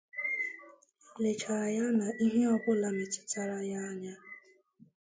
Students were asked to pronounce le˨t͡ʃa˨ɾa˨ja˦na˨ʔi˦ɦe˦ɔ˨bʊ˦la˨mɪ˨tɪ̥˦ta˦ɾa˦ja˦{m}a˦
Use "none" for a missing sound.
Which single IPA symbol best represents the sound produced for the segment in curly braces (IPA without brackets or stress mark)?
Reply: ɲ